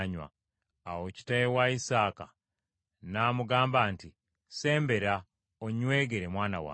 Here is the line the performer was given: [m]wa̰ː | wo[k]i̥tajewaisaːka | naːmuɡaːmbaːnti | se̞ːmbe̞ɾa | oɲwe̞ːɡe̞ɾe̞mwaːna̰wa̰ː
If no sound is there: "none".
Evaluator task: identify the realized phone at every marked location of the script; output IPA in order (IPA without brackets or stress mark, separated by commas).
ɲ, c